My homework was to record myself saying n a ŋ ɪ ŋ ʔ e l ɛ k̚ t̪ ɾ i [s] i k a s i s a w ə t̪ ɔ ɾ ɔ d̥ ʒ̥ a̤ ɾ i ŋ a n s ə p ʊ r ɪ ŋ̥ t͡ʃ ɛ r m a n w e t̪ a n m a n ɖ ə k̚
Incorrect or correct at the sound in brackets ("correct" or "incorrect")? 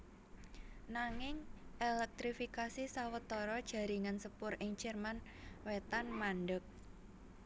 incorrect